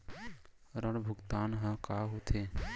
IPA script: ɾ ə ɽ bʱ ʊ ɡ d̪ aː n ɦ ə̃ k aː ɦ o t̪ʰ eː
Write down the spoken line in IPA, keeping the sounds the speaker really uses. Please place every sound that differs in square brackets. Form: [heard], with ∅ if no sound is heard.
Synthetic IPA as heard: ɾ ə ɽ bʱ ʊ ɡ [t̪] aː n ɦ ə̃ k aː ɦ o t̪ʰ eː